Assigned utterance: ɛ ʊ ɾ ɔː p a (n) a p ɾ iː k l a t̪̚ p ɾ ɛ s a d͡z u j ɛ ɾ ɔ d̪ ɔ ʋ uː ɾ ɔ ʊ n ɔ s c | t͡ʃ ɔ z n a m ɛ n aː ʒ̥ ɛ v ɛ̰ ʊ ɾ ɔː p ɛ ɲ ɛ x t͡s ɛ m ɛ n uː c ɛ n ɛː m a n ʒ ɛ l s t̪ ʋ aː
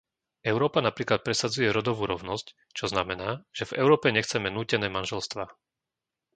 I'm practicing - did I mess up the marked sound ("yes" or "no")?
no